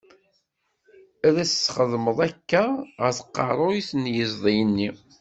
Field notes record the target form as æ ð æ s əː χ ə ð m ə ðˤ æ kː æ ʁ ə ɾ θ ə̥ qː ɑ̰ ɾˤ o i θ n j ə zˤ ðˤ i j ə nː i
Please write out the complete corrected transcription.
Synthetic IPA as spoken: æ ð æ s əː χ ə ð m ə ðˤ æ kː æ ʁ ə ɾ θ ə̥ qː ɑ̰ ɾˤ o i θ n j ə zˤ ðˤ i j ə nː i

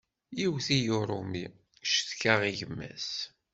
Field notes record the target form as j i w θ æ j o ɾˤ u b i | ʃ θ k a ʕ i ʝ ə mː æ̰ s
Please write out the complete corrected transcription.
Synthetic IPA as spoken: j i w θ i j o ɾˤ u m i | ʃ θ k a ʁ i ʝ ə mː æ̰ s

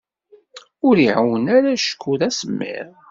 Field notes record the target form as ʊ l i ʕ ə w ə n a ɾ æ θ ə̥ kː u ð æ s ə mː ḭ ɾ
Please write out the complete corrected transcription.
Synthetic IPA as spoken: ʊ ɾ i ʕ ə w ə n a ɾ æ ʃ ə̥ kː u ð æ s ə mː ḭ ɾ

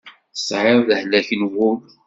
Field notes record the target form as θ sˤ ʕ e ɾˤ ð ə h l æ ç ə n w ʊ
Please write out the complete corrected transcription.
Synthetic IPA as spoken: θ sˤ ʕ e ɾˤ ð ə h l æ ç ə n w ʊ

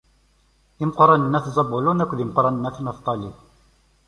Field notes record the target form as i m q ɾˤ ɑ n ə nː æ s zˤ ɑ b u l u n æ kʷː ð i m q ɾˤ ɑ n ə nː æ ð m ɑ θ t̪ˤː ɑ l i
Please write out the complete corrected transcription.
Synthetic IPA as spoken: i m q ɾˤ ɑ n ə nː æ θ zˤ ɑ b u l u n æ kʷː ð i m q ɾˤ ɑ n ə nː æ θ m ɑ θ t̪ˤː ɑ l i

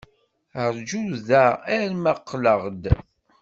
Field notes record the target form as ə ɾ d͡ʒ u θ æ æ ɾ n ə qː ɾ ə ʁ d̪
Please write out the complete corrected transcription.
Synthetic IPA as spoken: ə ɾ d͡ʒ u ð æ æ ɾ m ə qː l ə ʁ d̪

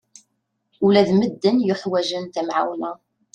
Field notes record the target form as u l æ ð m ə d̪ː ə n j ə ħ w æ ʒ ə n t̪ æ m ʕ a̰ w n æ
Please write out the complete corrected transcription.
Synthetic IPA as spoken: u l æ ð m ə d̪ː ə n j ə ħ w æ ʒ ə n t̪ æ m ʕ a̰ w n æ

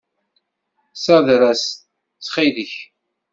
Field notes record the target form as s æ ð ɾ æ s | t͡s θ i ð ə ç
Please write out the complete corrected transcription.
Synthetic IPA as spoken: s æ ð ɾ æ s | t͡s χ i ð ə ç

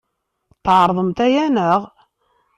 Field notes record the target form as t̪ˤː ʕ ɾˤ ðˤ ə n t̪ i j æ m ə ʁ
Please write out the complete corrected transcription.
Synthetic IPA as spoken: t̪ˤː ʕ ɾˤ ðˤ ə m t̪ æ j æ n ə ʁ

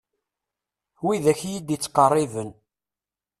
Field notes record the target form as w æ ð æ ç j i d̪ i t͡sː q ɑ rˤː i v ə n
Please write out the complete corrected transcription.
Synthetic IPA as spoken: w i ð æ ç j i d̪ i t͡sː q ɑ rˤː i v ə n

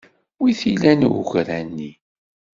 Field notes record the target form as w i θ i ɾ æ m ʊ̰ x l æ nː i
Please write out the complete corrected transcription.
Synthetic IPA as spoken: w i θ i l æ n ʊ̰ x ɾ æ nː i

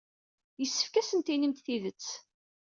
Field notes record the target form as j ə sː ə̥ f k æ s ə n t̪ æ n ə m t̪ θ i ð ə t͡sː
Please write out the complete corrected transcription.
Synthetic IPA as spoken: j ə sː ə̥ f k æ s ə n t̪ i n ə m t̪ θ i ð ə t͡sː

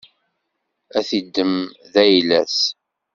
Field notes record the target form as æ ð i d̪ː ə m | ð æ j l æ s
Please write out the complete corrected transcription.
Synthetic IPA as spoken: æ θ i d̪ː ə m | ð æ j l æ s

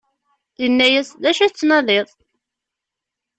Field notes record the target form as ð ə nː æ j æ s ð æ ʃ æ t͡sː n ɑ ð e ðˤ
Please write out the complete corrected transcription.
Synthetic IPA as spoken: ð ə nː æ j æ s ð æ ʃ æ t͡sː n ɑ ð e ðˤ

